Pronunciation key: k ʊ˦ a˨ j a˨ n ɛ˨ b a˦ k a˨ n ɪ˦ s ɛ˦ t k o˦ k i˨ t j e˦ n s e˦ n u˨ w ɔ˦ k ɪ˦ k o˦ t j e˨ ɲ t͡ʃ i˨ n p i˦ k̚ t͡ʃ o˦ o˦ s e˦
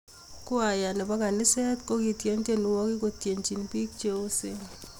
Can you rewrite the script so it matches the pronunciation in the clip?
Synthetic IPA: k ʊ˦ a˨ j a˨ n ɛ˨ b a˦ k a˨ n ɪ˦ s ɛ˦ t k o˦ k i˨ t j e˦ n t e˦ n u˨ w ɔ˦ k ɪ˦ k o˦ t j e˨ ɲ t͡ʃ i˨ n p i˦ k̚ t͡ʃ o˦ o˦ s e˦